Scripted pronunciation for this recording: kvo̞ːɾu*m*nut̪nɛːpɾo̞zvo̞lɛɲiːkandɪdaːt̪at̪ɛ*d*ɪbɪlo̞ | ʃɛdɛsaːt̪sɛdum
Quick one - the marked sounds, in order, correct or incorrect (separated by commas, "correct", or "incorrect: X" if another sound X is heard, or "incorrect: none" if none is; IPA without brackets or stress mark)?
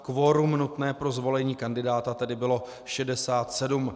correct, correct